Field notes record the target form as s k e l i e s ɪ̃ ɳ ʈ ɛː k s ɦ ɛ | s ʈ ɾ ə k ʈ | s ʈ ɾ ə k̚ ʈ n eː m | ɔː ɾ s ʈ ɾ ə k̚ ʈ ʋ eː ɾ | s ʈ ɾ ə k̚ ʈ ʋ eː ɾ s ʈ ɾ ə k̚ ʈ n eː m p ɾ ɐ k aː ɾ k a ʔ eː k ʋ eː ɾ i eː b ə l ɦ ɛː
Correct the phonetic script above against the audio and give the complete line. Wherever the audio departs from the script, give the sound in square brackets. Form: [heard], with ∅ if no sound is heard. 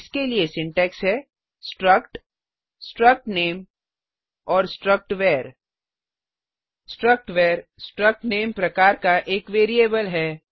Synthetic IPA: s k e l i e s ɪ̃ ɳ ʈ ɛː k s ɦ ɛ | s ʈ ɾ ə k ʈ | s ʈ ɾ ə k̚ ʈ n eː m | ɔː ɾ s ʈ ɾ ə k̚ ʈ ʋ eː ɾ | s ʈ ɾ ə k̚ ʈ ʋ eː ɾ s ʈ ɾ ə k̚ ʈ n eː m p ɾ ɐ k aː ɾ k a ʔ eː k ʋ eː ɾ i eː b ə l ɦ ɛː

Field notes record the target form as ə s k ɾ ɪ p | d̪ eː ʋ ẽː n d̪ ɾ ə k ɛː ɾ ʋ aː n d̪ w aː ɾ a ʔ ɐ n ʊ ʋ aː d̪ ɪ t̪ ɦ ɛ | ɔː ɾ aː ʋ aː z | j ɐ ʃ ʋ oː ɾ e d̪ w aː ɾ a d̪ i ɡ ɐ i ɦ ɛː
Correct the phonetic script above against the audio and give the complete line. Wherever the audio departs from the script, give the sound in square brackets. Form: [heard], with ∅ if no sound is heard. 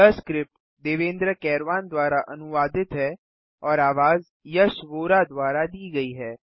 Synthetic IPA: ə s k ɾ ɪ p | d̪ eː ʋ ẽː n d̪ ɾ ə k ɛː ɾ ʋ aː n d̪ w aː ɾ a ʔ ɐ n ʊ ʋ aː d̪ ɪ t̪ ɦ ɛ | ɔː ɾ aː ʋ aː z | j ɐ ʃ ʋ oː ɾ [a] d̪ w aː ɾ a d̪ [iː] ɡ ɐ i ɦ ɛː

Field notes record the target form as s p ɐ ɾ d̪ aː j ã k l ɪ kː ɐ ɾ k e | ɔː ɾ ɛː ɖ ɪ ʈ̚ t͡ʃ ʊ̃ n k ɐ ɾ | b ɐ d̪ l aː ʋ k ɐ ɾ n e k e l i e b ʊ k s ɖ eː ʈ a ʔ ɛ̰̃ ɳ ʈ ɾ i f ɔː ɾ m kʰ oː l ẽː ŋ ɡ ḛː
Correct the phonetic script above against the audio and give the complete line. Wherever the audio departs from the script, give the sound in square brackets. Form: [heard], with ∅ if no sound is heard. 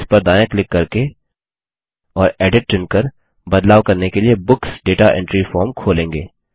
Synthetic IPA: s p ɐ ɾ d̪ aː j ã k l ɪ kː ɐ ɾ k e | ɔː ɾ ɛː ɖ ɪ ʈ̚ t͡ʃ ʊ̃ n k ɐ ɾ | b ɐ d̪ l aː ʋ k ɐ ɾ n e k e l i e b ʊ k s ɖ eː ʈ a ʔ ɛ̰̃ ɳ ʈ ɾ i f ɔː ɾ m kʰ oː l ẽː ŋ ɡ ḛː

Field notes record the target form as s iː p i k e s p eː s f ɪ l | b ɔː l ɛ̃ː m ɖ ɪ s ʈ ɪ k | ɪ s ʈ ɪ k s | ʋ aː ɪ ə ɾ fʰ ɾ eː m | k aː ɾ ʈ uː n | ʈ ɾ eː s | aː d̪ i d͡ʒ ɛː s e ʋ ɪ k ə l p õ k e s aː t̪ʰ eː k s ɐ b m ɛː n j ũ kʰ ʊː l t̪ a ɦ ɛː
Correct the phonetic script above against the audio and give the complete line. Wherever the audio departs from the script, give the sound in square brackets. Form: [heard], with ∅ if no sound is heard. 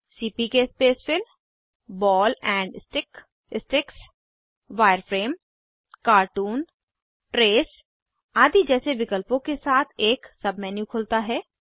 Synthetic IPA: s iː p i k e s p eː s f ɪ l | b ɔː l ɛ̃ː [ɳ] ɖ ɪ s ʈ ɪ k | ɪ s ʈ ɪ k s | ʋ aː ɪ ə ɾ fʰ ɾ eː m | k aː ɾ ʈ uː n | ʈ ɾ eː s | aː d̪ i d͡ʒ ɛː s e ʋ ɪ k ə l p õ k e s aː t̪ʰ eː k s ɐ b m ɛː n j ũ kʰ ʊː l t̪ a ɦ ɛː

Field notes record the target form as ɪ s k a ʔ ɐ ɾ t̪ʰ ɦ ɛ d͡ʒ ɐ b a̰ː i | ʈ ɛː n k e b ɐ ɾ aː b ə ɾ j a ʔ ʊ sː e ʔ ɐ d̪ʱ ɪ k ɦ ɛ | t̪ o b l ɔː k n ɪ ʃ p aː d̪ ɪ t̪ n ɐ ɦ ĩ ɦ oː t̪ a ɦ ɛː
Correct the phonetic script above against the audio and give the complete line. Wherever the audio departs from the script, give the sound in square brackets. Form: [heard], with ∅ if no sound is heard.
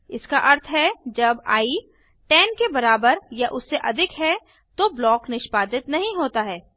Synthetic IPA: ɪ s k a ʔ ɐ ɾ t̪ʰ ɦ ɛ d͡ʒ ɐ b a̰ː i | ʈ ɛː n k e b ɐ ɾ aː b ə ɾ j a ʔ ʊ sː e ʔ ɐ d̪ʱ ɪ k ɦ ɛ | t̪ o b l ɔː k n ɪ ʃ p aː d̪ ɪ t̪ n ɐ ɦ ĩ ɦ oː t̪ a ɦ ɛː

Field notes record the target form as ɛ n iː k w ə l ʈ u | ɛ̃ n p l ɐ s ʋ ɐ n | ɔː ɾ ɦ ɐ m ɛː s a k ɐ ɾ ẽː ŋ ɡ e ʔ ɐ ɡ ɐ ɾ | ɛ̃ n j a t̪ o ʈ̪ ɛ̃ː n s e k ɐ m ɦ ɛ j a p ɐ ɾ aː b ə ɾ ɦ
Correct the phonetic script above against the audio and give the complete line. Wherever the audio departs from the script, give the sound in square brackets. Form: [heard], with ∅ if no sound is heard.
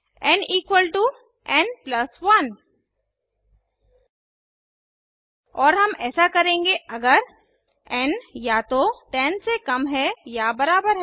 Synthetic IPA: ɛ n iː k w ə l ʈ u | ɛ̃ n p l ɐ s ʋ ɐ n | ɔː ɾ ɦ ɐ m ɛː s a k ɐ ɾ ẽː ŋ ɡ e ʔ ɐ ɡ [ə] ɾ | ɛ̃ n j a t̪ o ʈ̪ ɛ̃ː n s e k ɐ m ɦ ɛ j a [b] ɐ ɾ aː b ə ɾ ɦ

